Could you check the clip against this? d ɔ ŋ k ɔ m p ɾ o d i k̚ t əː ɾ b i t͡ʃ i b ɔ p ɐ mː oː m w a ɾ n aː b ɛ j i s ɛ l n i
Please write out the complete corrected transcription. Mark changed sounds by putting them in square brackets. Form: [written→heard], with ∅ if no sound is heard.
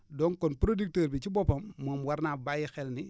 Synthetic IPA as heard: d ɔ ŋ k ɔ [m→n] p ɾ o d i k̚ t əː ɾ b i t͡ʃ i b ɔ p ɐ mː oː m w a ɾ n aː b [ɛ→a] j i [s→x] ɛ l n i